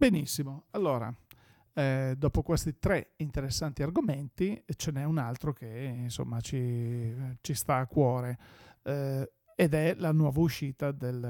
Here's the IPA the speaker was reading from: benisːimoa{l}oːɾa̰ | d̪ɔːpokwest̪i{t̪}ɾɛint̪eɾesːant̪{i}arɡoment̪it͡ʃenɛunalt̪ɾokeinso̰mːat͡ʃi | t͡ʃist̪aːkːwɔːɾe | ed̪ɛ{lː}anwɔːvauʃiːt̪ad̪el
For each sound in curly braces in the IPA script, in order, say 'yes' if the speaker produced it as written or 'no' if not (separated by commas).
no, yes, yes, no